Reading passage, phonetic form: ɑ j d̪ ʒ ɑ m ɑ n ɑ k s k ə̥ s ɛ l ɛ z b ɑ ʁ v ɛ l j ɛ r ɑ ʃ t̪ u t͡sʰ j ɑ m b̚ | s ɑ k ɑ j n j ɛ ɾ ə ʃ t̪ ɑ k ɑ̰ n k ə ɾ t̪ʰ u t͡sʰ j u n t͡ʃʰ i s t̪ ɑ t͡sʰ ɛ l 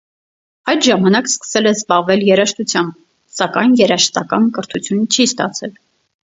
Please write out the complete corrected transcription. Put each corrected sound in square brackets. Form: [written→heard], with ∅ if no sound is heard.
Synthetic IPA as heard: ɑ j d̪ ʒ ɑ m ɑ n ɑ k s k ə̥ s ɛ l ɛ z b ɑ ʁ v ɛ l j ɛ [r→ɾ] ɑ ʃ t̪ u t͡sʰ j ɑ m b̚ | s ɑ k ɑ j n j ɛ ɾ [ə→ɑ] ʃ t̪ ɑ k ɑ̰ n k ə ɾ t̪ʰ u t͡sʰ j u n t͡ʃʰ i s t̪ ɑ t͡sʰ ɛ l